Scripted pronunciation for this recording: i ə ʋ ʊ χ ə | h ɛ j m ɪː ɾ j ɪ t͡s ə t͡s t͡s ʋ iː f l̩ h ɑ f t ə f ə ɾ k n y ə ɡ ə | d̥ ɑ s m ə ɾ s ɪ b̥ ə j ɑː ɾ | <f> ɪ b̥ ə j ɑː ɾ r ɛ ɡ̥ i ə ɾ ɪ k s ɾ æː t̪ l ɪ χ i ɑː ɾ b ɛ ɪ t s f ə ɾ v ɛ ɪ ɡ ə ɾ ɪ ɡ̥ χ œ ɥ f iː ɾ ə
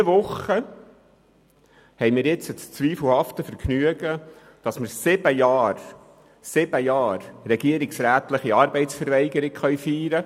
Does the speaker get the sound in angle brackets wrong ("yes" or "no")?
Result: yes